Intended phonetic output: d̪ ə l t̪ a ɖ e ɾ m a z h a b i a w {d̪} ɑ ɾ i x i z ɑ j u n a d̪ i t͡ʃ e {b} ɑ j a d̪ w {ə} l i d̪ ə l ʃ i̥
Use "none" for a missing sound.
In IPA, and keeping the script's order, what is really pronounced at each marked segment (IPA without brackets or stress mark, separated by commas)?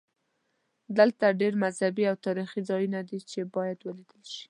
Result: t̪, b, ə